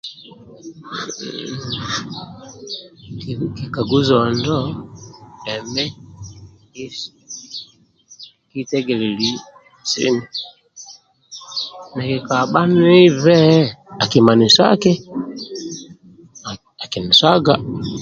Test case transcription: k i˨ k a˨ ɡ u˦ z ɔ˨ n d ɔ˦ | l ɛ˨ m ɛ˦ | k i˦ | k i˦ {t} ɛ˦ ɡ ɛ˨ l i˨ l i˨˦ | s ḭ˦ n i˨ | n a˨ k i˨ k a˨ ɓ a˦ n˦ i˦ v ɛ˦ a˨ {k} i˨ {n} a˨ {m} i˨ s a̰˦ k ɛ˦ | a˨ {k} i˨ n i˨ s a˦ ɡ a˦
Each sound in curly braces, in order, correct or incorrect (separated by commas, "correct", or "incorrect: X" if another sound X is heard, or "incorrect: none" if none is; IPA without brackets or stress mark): correct, correct, incorrect: m, incorrect: n, correct